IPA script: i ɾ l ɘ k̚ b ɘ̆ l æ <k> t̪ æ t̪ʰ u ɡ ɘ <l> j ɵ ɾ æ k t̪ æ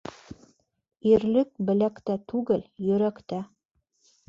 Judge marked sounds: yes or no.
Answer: yes, yes

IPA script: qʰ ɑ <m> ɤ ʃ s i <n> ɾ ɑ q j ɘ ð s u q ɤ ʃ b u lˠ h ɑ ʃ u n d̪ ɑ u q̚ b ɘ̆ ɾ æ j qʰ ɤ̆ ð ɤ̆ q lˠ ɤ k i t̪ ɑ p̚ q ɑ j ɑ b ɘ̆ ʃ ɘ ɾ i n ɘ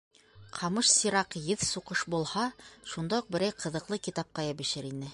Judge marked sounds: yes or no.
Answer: yes, no

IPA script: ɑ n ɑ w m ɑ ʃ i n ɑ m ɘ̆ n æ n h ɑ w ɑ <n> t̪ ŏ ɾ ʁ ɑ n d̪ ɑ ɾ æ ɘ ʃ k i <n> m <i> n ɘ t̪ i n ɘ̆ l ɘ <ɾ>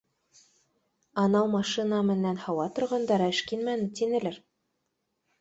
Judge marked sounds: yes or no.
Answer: no, yes, no, yes

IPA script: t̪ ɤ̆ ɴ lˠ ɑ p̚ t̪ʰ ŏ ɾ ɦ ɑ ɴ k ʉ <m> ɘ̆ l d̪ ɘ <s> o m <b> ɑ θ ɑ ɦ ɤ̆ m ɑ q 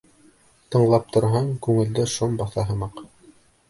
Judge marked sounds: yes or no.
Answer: no, no, yes

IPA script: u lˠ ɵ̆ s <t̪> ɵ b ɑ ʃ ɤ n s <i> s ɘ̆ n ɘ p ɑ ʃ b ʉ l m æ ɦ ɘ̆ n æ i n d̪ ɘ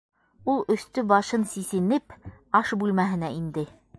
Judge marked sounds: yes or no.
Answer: yes, yes

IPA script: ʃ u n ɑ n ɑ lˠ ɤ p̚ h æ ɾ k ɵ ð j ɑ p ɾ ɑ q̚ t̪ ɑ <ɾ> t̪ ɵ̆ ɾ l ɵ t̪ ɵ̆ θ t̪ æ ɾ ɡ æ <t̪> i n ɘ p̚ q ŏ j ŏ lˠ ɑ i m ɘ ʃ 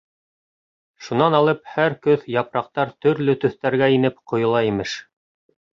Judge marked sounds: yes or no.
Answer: yes, no

